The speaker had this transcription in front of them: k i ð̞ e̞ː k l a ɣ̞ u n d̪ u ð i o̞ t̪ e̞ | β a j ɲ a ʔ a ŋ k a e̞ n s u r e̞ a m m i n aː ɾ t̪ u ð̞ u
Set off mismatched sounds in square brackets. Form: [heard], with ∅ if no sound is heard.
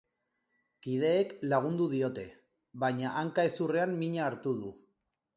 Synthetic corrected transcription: k i ð̞ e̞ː k l a ɣ̞ u n d̪ u ð i o̞ t̪ e̞ | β a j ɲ a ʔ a ŋ k a e̞ [∅] s u r e̞ a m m i [ɲ] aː ɾ t̪ u ð̞ u